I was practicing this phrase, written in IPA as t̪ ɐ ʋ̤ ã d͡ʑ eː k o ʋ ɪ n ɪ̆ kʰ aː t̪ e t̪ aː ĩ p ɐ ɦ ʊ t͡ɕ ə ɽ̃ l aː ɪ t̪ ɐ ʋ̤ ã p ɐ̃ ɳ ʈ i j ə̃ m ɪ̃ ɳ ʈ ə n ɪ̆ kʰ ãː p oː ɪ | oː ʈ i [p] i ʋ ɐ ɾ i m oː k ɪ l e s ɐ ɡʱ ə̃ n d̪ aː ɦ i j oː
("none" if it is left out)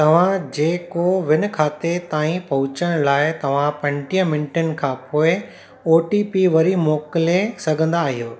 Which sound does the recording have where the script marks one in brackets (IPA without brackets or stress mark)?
p